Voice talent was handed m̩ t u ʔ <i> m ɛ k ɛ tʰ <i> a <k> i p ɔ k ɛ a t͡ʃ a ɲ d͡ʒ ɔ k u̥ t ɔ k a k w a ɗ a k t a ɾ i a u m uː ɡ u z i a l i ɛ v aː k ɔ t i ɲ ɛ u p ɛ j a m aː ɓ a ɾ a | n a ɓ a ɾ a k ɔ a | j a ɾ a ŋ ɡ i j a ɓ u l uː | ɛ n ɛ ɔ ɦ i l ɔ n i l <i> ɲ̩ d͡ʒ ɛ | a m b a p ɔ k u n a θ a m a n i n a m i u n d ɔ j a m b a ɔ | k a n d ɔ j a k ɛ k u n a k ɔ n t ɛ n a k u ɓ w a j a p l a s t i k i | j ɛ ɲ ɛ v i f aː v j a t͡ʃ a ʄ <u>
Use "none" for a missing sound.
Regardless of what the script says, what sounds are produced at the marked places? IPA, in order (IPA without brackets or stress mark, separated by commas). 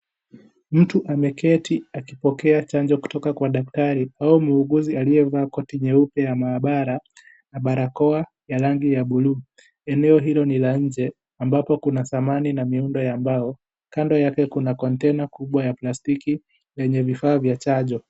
a, i, k, a, ɔ